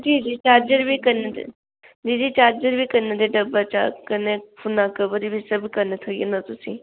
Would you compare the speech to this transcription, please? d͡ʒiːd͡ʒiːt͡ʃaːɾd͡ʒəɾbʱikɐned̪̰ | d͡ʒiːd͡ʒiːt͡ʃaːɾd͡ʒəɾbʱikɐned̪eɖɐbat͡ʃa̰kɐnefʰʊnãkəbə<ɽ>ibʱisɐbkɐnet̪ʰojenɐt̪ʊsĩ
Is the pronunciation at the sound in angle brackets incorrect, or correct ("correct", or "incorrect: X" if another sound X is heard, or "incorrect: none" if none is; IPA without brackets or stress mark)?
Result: incorrect: ɾ